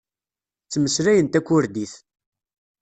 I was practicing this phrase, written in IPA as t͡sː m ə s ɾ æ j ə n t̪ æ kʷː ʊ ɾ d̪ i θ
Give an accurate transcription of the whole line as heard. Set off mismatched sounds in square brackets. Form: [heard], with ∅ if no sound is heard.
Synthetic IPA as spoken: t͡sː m ə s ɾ æ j ə n t̪ æ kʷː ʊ ɾ d̪ i θ

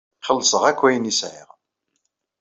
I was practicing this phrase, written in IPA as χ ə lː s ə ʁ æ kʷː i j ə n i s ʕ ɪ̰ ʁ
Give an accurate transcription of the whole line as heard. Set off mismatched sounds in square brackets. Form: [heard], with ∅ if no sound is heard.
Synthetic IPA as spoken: χ ə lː s ə ʁ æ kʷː [æ] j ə n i s ʕ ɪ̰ ʁ

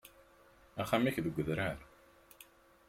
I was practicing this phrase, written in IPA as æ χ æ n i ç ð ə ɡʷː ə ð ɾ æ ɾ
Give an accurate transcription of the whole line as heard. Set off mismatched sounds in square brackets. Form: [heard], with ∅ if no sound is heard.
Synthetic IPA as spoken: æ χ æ [m] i ç ð ə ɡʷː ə ð ɾ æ ɾ

